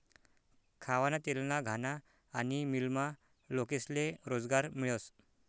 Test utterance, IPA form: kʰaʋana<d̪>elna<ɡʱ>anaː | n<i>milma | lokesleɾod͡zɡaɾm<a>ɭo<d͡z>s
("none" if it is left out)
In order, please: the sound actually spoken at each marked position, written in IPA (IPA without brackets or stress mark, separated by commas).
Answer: t̪, ɡʱ, i, i, none